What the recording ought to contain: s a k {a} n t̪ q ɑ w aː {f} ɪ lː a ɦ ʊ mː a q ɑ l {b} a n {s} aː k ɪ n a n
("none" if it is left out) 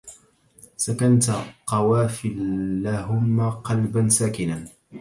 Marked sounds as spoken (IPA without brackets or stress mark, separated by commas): a, f, b, s